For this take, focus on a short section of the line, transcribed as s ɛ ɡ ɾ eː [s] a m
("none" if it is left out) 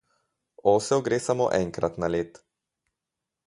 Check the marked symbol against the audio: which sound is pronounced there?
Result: s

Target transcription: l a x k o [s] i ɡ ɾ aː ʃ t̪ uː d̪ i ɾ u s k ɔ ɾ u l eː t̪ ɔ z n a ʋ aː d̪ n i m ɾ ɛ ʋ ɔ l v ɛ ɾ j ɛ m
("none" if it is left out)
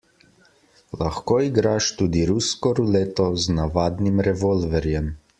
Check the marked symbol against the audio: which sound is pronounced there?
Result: none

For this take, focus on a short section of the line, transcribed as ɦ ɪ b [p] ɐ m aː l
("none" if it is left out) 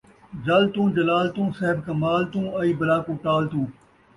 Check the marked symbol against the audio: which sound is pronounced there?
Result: k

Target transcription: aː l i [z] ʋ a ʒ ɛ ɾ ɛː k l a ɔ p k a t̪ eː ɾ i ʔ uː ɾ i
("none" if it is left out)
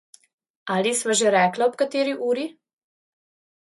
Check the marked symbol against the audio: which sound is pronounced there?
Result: s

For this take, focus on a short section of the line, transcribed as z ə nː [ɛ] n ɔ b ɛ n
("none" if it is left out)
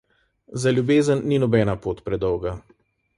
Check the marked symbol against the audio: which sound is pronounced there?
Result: i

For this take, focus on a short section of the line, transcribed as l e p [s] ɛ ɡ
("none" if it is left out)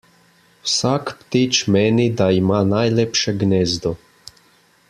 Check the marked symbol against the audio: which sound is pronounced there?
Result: ʃ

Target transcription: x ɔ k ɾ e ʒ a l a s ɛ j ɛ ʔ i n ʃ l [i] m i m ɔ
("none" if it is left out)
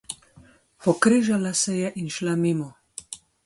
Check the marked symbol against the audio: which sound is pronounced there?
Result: a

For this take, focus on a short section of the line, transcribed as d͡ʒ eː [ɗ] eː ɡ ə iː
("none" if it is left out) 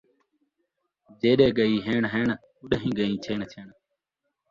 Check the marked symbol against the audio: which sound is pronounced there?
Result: ɗ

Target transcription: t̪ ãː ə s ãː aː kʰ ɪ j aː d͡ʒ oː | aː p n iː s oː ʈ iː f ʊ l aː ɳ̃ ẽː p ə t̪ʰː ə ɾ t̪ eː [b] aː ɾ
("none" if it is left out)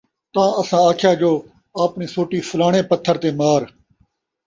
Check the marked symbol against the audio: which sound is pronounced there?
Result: m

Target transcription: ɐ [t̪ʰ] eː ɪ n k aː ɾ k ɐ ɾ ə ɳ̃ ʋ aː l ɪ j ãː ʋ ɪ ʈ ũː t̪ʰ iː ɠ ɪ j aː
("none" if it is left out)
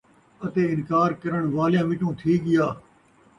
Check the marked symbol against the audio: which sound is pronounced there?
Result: t̪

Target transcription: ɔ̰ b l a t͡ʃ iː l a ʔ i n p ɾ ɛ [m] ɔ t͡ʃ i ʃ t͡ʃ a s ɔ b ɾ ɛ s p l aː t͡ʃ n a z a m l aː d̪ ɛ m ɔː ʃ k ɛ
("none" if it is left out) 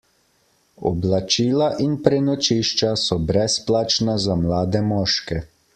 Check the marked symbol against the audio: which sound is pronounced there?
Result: n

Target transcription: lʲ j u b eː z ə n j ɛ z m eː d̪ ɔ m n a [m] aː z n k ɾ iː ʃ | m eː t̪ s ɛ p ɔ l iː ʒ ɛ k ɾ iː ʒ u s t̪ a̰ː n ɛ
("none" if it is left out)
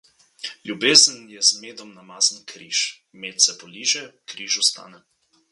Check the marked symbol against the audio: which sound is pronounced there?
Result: m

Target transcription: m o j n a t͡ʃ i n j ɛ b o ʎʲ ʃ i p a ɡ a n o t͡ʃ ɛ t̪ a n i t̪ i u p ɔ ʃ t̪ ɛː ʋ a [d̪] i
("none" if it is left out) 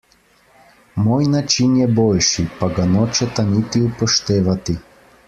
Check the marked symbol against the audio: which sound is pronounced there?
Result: t̪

